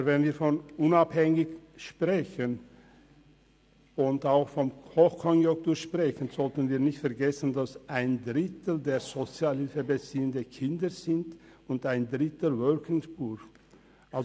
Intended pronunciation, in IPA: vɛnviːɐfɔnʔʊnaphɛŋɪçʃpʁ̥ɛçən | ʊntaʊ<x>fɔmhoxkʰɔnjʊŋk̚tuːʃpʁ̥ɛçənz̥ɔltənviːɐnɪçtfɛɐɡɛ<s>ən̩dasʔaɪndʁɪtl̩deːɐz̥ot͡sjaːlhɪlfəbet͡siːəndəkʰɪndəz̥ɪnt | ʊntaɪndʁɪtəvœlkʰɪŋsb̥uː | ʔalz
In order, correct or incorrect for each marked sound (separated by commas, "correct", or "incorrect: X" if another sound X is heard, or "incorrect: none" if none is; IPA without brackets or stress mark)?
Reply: correct, correct